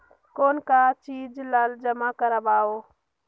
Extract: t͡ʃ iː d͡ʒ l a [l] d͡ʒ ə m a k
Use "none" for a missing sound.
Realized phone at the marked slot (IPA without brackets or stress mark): l